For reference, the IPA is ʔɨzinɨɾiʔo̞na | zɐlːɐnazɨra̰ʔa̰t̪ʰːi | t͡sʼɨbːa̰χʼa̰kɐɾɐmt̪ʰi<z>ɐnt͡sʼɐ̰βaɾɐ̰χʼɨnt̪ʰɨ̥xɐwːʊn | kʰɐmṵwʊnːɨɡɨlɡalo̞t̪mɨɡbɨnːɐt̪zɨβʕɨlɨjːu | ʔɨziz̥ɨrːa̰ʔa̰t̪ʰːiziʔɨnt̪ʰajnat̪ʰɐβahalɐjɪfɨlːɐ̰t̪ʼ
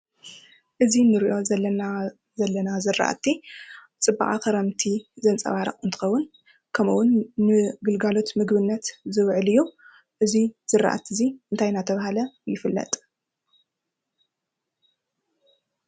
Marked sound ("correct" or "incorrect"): correct